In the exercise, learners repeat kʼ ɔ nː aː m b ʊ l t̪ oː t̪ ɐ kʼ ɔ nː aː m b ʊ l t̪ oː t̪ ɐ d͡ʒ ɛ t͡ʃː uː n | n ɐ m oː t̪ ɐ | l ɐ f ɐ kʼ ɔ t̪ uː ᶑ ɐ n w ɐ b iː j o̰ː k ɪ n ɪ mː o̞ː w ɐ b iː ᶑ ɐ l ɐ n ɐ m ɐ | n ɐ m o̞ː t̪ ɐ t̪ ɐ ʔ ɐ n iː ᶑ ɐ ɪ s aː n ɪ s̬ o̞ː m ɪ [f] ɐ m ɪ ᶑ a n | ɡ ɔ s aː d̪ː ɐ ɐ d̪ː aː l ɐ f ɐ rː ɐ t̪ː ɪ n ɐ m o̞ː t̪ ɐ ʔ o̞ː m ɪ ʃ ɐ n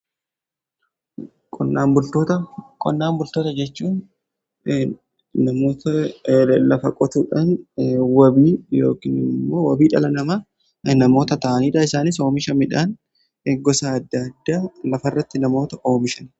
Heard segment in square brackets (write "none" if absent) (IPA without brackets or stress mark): ʃ